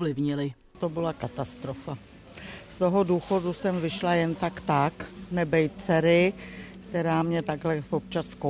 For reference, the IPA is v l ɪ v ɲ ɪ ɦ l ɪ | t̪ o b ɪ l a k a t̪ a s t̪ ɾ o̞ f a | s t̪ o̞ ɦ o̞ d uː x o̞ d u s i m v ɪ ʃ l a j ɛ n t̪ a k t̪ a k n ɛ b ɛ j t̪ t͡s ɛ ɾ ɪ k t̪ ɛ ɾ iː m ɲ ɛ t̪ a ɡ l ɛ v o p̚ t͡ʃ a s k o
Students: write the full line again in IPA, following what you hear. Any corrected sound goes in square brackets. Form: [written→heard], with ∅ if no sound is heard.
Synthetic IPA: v l ɪ v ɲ ɪ [ɦ→∅] l ɪ | t̪ o b ɪ l a k a t̪ a s t̪ ɾ o̞ f a | s t̪ o̞ ɦ o̞ d uː x o̞ d u s [i→ɛ] m v ɪ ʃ l a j ɛ n t̪ a k t̪ a k n ɛ b ɛ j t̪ t͡s ɛ ɾ ɪ k t̪ ɛ ɾ [iː→aː] m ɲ ɛ t̪ a ɡ l ɛ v o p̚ t͡ʃ a s k o